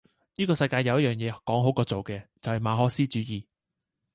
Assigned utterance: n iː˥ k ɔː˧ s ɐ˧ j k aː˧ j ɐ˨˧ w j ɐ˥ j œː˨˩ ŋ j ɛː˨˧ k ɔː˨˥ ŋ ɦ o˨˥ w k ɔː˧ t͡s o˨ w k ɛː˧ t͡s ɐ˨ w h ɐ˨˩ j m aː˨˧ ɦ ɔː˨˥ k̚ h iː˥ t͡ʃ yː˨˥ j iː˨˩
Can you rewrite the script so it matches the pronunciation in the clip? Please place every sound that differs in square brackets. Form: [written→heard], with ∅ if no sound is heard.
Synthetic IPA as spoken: n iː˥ k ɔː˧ s ɐ˧ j k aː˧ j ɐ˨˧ w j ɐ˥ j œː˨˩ ŋ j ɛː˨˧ k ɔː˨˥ ŋ ɦ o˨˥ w k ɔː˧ t͡s o˨ w k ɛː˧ t͡s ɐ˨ w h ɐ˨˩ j m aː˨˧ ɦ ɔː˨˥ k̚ [h→s] iː˥ t͡ʃ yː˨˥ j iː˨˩